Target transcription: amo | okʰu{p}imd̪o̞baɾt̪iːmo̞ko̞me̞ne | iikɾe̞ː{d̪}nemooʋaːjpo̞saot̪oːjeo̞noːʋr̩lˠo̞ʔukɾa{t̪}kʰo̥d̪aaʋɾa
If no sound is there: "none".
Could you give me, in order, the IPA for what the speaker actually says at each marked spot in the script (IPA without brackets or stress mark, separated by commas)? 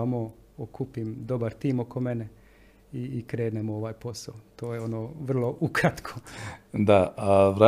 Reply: p, d̪, t̪